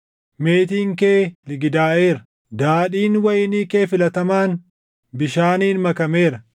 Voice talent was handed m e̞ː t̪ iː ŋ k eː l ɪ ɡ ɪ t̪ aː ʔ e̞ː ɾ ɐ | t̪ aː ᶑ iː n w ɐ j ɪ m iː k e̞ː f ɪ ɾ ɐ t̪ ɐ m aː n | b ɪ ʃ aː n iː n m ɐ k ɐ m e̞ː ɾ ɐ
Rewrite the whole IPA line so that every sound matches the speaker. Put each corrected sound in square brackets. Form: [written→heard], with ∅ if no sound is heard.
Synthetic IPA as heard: m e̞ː t̪ iː ŋ k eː l ɪ ɡ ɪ [t̪→d̪] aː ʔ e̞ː ɾ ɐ | [t̪→d̪] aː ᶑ iː n w ɐ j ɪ [m→n] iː k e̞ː f ɪ [ɾ→l] ɐ t̪ ɐ m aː n | b ɪ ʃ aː n iː n m ɐ k ɐ m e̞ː ɾ ɐ